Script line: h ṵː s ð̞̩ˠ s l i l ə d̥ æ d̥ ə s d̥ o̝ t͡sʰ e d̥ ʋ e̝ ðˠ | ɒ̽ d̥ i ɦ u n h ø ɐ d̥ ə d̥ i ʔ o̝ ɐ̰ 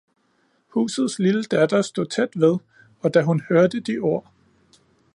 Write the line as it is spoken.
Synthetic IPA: h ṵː s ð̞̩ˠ s l i l ə d̥ æ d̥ ɐ s d̥ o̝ t͡sʰ e d̥ ʋ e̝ ðˠ | ɒ̽ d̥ æ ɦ u n h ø ɐ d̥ ə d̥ i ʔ o̝ ɐ̰